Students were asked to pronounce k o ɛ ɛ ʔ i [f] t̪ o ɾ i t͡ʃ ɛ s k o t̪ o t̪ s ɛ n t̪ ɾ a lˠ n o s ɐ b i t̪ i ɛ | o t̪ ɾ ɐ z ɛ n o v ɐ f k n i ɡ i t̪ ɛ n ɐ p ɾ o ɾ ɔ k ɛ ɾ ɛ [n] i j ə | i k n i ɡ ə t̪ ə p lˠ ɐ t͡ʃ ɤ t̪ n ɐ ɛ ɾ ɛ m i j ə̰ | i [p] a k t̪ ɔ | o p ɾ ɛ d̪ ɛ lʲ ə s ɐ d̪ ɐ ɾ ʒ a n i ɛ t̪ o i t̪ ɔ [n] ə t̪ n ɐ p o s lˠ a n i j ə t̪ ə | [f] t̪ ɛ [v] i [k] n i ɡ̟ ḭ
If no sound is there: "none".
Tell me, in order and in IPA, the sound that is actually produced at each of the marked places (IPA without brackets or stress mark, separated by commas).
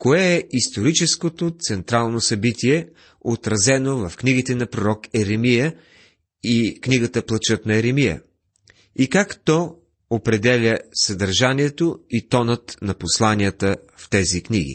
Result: s, m, k, n, f, z, k